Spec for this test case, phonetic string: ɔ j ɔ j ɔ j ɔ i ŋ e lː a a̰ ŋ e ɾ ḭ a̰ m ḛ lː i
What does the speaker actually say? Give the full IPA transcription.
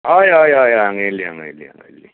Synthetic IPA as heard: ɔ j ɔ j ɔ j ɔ a ŋ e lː i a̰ ŋ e l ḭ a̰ ŋ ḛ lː i